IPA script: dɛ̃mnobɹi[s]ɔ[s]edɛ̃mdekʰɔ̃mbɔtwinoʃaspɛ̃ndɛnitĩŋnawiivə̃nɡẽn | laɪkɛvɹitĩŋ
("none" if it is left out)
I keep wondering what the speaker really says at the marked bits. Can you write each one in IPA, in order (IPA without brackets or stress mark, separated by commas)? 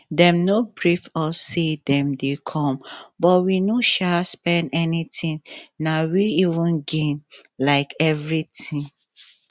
f, s